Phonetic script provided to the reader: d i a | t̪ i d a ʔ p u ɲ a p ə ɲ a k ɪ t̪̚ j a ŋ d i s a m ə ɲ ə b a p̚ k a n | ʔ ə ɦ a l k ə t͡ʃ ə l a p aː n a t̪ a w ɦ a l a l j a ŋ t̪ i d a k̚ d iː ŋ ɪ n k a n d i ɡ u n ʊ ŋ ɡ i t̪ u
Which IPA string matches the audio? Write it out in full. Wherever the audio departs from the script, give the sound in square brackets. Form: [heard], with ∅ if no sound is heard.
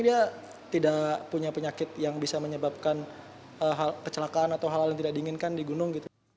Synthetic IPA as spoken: d i a | t̪ i d a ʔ p u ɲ a p ə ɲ a k ɪ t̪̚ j a ŋ [b] i s a m ə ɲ ə b a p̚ k a n | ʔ ə ɦ a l k ə t͡ʃ ə l a [k] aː n a t̪ a w ɦ a l a l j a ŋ t̪ i d a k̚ d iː ŋ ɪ n k a n d i ɡ u n ʊ ŋ ɡ i t̪ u

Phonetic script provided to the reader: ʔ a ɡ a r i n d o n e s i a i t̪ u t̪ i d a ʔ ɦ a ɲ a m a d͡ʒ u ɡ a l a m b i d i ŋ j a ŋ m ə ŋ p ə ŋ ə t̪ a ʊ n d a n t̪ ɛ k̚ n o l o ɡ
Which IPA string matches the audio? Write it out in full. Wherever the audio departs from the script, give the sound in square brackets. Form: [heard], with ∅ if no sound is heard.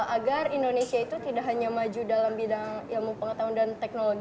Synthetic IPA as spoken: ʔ a ɡ a r i n d o n e s i a i t̪ u t̪ i d a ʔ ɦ a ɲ a m a d͡ʒ u [d] a l a m b i d [a] ŋ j a ŋ m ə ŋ p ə ŋ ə t̪ a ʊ n d a n t̪ ɛ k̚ n o l o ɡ

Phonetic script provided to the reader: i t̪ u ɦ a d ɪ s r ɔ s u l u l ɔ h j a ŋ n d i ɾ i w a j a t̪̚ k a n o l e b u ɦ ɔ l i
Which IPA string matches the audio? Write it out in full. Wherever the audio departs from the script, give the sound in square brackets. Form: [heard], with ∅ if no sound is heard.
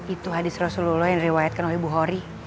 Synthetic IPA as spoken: i t̪ u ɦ a d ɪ s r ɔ s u l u l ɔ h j a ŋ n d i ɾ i w a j a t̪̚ k a n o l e b u ɦ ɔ [ɾ] i

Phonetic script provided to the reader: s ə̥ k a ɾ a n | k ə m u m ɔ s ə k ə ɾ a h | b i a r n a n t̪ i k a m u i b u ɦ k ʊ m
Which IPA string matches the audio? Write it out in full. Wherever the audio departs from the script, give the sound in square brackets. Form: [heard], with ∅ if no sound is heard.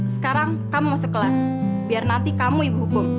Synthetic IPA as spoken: s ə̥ k a ɾ a [ŋ] | k [a] m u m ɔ s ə k ə [l] a [s] | b i a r n a n t̪ i k a m u i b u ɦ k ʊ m

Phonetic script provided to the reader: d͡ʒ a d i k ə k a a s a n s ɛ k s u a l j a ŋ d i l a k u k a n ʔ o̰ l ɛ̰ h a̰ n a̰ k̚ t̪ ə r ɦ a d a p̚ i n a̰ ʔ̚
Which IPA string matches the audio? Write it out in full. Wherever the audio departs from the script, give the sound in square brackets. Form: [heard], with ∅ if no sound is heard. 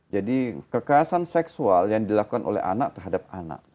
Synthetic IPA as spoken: d͡ʒ a d i k ə k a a s a n s ɛ k s u a l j a ŋ d i l a k u k a n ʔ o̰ l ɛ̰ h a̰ n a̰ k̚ t̪ ə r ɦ a d a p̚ [a] n a̰ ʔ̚

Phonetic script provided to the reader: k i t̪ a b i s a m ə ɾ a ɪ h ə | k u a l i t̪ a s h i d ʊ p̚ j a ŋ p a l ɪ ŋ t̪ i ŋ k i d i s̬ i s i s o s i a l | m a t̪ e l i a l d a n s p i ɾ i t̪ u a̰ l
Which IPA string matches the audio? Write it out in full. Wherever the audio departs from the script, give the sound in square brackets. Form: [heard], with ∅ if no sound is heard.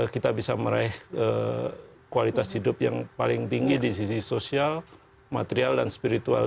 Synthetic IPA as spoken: k i t̪ a b i s a m ə ɾ a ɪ h ə | k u a l i t̪ a s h i d ʊ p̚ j a ŋ p a l ɪ ŋ t̪ i ŋ [ɡ] i d i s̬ i s i s o s i a l | m a t̪ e [ɾ] i a l d a n s p i ɾ i t̪ u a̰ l

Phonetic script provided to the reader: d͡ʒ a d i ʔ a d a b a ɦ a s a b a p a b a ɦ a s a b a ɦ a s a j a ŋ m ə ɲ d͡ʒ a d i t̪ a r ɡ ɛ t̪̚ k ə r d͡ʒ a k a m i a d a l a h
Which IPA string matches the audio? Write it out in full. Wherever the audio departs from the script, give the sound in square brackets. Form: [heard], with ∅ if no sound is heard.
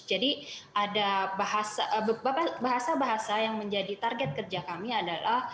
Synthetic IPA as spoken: d͡ʒ a d i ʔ a d a b a ɦ a s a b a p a b a ɦ a s a b a ɦ a s a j a ŋ m ə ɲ d͡ʒ a d i t̪ a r ɡ ɛ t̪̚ k ə r d͡ʒ a k a m i a d a l a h

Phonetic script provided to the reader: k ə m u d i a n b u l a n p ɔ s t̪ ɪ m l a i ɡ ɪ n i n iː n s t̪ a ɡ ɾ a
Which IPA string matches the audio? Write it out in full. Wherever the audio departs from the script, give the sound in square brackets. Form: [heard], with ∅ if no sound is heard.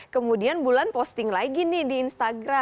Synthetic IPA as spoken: k ə m u d i a n b u l a n p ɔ s t̪ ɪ [ŋ] l a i ɡ [i] n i [d] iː n s t̪ a ɡ ɾ a

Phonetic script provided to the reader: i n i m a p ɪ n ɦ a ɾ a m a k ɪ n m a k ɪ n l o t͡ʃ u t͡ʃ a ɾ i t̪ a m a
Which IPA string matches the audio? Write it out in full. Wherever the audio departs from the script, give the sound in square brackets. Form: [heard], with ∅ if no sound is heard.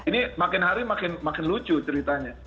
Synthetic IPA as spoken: i n i m a [k] ɪ n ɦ a ɾ [i] m a k ɪ n m a k ɪ n l [u] t͡ʃ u t͡ʃ [ə] ɾ i t̪ a [ɲ] a

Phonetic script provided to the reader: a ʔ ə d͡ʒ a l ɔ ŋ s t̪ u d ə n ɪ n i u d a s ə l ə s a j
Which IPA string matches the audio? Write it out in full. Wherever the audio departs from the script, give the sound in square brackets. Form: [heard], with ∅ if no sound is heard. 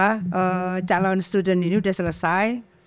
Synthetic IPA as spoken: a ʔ ə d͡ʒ a l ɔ [n] s t̪ u d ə n [i] n i u d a s ə l ə s a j

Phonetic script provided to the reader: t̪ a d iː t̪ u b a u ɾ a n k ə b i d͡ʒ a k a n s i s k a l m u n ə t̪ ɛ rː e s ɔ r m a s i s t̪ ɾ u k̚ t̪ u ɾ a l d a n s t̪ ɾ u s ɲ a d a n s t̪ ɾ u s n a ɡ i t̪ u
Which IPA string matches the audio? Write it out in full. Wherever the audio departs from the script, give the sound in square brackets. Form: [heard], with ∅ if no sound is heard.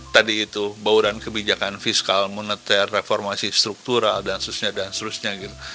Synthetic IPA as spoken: t̪ a d iː t̪ u b a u ɾ a n k ə b i d͡ʒ a k a n [f] i s k a l m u n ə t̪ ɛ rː e [f] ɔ r m a s i s t̪ ɾ u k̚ t̪ u ɾ a l d a n s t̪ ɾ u s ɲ a d a n s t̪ ɾ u s [ɲ] a ɡ i t̪ u

